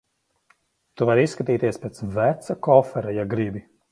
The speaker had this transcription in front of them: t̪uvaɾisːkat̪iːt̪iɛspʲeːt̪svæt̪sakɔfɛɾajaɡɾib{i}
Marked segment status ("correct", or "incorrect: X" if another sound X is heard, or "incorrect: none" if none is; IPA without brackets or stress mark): correct